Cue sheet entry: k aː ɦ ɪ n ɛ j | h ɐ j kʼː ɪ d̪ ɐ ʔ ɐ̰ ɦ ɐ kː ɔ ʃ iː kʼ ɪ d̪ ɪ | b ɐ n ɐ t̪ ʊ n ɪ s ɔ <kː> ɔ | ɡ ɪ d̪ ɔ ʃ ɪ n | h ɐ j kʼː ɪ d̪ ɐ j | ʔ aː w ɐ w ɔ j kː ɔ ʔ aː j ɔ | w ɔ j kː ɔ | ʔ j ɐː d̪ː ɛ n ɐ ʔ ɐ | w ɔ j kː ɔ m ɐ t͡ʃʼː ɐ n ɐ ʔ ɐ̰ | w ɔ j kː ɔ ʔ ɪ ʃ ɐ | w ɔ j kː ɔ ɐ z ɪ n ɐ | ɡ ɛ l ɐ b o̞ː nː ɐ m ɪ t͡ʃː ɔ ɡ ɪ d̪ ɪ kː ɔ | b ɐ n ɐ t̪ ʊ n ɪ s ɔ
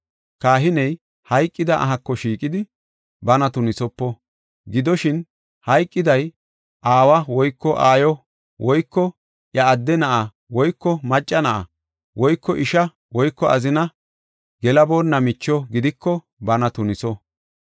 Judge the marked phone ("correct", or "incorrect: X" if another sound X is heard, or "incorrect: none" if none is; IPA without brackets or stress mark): incorrect: pː